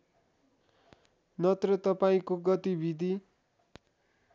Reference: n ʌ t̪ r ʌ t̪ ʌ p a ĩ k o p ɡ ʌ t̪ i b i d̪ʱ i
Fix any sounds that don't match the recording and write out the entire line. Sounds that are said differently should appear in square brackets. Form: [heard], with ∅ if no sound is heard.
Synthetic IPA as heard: n ʌ t̪ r ʌ t̪ ʌ p a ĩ k o [∅] ɡ ʌ t̪ i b i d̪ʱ i